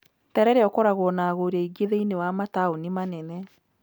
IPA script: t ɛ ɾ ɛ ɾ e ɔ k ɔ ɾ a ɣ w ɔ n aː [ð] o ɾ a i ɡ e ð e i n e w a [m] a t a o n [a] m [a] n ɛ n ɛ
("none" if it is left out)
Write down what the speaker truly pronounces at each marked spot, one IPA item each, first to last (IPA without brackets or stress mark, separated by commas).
ɣ, m, i, a